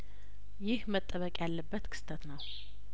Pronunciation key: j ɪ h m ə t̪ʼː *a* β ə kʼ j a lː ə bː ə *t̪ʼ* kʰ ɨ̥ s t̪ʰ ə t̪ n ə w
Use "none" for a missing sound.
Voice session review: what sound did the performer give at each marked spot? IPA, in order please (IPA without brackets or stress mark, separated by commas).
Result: ə, t̪